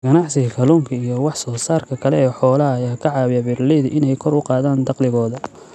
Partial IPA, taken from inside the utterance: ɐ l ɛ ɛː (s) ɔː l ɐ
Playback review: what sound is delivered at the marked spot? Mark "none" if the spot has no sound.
ħ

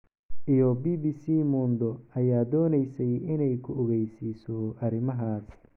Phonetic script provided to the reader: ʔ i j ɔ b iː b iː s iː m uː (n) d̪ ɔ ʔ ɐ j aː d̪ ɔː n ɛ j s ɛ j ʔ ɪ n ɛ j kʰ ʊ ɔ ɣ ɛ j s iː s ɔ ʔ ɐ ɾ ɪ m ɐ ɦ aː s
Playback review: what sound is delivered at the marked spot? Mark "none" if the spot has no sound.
n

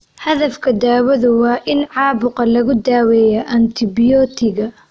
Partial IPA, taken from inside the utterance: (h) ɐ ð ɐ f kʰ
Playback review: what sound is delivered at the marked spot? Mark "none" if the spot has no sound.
h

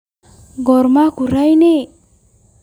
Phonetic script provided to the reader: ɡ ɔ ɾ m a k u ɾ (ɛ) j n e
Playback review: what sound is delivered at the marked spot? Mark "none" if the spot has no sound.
a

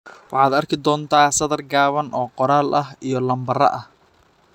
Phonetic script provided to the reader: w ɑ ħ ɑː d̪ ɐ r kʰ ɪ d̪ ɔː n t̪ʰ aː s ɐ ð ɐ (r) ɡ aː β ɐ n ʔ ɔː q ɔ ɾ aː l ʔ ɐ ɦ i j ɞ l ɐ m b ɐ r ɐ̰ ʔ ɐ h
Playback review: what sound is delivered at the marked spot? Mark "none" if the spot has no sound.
r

